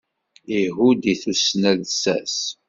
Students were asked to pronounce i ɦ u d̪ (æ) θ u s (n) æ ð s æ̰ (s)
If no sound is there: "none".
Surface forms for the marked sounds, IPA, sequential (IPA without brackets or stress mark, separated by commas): i, n, s